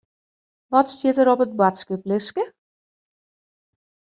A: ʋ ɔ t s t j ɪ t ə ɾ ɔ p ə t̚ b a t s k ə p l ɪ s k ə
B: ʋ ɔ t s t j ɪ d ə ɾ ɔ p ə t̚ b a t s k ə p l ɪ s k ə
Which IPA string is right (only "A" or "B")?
A